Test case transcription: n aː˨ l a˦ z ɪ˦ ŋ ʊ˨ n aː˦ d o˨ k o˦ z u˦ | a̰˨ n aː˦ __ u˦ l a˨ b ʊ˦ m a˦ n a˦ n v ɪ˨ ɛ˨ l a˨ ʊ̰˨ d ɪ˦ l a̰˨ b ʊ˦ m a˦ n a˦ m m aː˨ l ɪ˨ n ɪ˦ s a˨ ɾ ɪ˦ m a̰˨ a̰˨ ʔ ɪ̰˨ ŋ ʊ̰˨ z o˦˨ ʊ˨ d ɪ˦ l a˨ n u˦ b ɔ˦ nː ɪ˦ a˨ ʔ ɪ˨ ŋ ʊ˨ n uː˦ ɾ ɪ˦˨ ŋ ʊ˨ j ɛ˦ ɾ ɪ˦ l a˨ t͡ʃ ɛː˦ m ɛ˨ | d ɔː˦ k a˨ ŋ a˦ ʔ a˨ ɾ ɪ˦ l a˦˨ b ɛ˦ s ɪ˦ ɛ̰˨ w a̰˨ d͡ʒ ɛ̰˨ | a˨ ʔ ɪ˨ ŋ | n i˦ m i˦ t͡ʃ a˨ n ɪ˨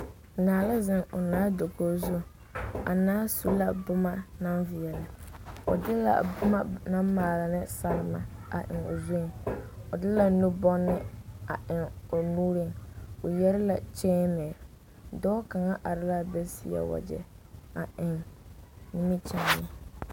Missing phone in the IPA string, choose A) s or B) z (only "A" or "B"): A